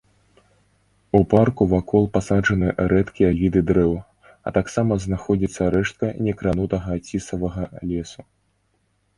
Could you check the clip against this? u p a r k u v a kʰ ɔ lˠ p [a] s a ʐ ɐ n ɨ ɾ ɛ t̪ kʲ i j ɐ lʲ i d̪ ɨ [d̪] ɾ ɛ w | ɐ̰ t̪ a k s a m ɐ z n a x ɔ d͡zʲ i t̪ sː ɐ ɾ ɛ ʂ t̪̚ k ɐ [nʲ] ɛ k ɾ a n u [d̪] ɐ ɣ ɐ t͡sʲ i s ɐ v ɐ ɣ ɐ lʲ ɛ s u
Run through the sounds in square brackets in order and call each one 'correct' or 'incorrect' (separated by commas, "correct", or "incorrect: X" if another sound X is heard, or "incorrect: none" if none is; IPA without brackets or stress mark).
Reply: correct, correct, correct, incorrect: t̪